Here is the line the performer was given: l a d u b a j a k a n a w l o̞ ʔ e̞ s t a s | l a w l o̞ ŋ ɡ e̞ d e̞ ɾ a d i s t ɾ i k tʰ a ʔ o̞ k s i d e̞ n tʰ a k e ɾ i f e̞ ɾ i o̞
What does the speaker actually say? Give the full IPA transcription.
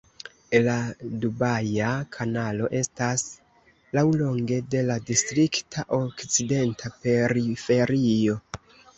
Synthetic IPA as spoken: l a d u b a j a kʰ a n a l o̞ ʔ e̞ s t a s | l a w l o̞ ŋ ɡ e̞ d e̞ l a d i s t ɾ i k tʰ a ʔ o̞ k t͡s i d e̞ n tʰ a p e ɾ i f e̞ ɾ i o̞